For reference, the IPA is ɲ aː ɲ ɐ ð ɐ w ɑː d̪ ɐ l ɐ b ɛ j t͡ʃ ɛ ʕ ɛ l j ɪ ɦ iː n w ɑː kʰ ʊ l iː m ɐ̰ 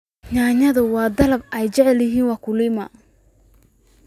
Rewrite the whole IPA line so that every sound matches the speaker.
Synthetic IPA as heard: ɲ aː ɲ ɐ ð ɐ w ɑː d̪ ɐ l ɐ b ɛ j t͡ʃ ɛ ʕ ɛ l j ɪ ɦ iː n w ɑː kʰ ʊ l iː m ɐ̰